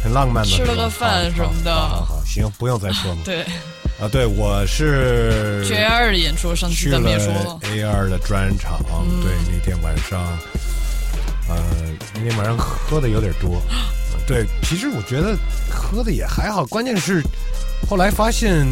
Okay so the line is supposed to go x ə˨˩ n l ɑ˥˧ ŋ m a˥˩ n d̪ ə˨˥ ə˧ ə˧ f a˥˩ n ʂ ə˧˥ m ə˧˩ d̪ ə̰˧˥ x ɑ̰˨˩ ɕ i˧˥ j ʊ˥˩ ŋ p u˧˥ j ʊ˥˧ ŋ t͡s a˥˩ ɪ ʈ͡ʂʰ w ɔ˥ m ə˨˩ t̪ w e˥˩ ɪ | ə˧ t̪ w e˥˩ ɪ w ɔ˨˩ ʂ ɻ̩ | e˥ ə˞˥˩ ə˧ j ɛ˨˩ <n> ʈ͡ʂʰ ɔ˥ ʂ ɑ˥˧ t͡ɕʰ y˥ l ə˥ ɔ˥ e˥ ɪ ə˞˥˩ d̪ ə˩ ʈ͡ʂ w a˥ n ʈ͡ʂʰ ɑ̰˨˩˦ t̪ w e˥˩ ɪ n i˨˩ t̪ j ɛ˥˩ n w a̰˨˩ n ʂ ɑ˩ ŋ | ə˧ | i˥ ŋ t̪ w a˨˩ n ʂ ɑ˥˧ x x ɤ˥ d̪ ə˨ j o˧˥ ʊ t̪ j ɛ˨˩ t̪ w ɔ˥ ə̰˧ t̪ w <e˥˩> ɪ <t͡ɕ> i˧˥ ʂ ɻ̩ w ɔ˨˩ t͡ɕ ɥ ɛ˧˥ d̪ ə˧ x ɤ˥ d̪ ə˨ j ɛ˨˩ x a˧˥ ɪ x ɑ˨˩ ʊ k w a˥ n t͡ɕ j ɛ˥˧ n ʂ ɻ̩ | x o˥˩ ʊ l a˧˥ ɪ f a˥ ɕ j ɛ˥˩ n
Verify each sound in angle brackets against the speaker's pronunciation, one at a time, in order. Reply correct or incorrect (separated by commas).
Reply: correct, correct, incorrect